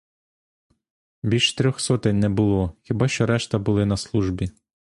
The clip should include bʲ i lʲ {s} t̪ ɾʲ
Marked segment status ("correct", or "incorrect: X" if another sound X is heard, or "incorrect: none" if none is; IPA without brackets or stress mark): incorrect: ʃ